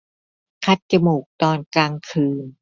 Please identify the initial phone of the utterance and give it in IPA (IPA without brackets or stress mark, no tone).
kʰ